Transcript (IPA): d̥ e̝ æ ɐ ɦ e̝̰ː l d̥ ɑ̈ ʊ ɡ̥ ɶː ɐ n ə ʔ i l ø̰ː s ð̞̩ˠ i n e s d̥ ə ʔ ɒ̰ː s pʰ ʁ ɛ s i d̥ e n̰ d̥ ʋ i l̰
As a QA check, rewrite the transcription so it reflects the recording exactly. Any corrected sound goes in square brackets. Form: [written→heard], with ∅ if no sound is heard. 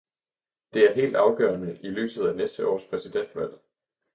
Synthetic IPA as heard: d̥ e̝ æ ɐ ɦ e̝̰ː l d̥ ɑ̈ ʊ ɡ̥ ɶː ɐ n ə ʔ i l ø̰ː s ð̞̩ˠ [i→æ] n e s d̥ ə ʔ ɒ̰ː s pʰ ʁ ɛ s i d̥ e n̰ d̥ ʋ [i→æ] l̰

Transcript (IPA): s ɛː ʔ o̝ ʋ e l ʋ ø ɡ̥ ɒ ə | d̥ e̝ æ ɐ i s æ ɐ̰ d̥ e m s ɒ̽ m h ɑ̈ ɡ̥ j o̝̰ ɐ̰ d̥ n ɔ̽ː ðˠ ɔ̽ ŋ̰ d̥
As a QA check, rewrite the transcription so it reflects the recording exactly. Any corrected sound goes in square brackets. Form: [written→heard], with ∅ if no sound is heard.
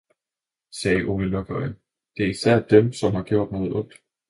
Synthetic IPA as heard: s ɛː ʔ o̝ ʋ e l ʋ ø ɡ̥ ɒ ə | d̥ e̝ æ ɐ i s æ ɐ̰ d̥ e m s ɒ̽ m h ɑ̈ ɡ̥ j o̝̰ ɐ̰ d̥ n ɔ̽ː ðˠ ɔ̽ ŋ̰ d̥

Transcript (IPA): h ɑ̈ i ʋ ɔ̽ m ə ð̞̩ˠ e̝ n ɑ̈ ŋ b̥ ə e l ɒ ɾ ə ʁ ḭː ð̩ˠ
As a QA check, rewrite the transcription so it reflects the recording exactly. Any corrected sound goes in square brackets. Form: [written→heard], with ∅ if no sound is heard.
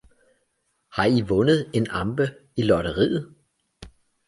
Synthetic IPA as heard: h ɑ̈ i ʋ ɔ̽ [m→n] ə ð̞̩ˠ e̝ n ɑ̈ [ŋ→m] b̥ ə [e→i] l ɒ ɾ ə ʁ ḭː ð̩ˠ

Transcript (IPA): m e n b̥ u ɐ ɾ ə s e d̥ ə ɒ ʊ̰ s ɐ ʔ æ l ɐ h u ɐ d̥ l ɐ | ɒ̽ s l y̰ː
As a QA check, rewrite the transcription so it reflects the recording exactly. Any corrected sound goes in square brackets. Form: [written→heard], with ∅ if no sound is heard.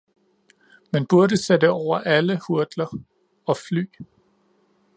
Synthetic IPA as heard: m e n b̥ u ɐ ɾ ə s e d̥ ə ɒ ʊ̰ [s→∅] ɐ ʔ æ l [ɐ→ə] h u ɐ d̥ l ɐ | ɒ̽ [s→f] l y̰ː

